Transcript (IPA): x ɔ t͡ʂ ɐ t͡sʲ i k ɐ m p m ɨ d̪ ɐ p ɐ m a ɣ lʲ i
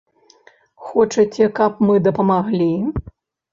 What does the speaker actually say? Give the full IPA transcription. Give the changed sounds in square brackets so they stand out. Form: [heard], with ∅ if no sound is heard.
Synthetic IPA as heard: x ɔ t͡ʂ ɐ t͡sʲ [ɛ] k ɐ [∅] p m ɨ d̪ ɐ p ɐ m a ɣ lʲ i